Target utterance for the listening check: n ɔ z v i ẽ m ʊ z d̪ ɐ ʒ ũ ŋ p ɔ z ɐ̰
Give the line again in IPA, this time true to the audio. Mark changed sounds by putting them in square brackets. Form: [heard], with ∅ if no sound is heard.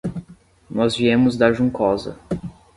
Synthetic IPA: n ɔ z v i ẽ m ʊ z d̪ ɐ ʒ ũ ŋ [k] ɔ z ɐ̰